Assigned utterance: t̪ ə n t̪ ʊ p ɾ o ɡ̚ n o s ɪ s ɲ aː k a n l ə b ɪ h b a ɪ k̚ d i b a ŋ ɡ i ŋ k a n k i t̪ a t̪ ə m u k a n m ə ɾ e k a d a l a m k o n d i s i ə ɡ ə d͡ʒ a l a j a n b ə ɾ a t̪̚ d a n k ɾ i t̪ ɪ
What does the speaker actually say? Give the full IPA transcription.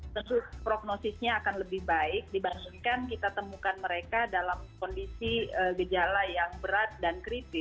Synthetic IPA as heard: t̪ ə n t̪ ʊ p ɾ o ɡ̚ n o s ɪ s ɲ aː k a n l ə b ɪ h b a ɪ k̚ d i b a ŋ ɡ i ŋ k a n k i t̪ a t̪ ə m u k a n m ə ɾ e k a d a l a m k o n d i s i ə ɡ ə d͡ʒ a l a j a ŋ b ə ɾ a t̪̚ d a n k ɾ i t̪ ɪ